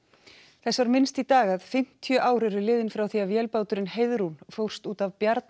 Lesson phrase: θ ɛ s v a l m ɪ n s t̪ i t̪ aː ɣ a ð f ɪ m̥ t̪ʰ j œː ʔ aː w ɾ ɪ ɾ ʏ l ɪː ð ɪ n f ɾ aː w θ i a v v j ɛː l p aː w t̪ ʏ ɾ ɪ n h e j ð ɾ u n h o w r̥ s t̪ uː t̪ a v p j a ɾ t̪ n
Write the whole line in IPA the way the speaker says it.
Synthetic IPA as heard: θ ɛ s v a ɾ m ɪ n s t̪ i t̪ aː ɣ a ð f ɪ m̥ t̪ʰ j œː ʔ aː w ɾ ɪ ɾ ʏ l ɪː ð ɪ n f ɾ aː w θ i a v v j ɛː l p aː w t̪ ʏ ɾ ɪ n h e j ð ɾ u n f o w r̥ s t̪ uː t̪ a v p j a ɾ t̪ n